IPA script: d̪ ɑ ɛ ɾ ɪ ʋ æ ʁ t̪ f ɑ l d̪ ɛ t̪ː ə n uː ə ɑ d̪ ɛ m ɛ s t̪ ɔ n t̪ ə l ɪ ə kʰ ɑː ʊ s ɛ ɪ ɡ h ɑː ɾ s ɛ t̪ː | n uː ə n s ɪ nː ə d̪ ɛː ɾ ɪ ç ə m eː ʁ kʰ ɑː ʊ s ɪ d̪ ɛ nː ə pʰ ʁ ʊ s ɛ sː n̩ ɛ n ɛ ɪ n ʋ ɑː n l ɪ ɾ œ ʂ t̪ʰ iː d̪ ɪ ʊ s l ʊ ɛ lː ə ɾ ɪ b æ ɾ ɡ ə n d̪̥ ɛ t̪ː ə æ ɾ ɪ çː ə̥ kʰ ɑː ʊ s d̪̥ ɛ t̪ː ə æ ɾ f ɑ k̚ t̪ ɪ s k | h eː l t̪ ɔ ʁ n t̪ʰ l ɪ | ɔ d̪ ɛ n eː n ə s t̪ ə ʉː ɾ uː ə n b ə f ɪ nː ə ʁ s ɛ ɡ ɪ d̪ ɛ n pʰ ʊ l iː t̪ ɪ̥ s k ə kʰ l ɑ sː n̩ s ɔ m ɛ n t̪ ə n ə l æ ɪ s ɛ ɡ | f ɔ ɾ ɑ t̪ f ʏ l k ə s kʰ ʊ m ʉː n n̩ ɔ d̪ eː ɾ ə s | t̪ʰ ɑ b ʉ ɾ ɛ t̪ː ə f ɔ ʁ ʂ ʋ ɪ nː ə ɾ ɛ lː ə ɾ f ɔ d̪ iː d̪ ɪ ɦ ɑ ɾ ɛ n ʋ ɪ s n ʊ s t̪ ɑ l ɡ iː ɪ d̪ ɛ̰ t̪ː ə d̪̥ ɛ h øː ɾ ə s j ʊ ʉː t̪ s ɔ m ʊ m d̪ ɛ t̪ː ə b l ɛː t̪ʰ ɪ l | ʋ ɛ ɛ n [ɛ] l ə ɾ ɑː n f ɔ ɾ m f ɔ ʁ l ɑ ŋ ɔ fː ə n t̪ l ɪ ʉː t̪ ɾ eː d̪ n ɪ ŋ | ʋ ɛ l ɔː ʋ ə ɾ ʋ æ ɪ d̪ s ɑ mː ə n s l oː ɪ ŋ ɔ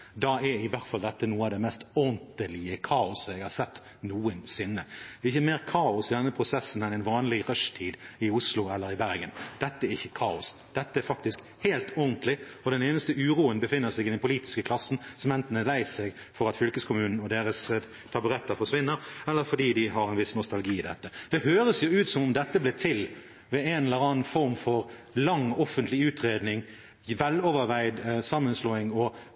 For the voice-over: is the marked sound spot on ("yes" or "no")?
yes